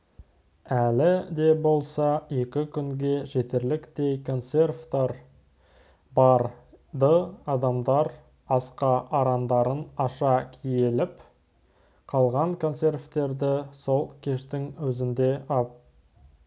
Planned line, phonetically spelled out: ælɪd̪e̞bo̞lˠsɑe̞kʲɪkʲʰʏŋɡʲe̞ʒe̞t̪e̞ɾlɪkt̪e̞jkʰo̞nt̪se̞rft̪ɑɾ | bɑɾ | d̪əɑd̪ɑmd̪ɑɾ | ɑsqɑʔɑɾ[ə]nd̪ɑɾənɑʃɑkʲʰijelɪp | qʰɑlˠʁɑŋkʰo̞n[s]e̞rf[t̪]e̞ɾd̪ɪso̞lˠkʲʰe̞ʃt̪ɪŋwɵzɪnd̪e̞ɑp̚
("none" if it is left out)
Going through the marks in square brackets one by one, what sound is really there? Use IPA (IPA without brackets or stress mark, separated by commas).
ɑ, s, t̪